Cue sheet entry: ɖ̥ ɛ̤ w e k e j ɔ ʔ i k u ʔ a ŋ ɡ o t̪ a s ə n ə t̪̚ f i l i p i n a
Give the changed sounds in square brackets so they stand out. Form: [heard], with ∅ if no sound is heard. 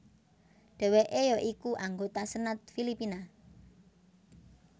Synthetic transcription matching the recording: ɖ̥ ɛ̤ w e [ʔ] e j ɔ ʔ i k u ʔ a ŋ ɡ o t̪ a s ə n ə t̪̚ f i l i p i n a